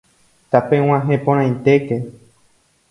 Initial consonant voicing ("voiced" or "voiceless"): voiceless